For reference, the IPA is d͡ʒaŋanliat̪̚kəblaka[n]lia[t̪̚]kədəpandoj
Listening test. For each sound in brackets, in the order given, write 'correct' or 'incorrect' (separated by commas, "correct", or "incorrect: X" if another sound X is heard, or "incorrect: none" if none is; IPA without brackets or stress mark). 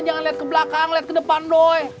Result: incorrect: ŋ, correct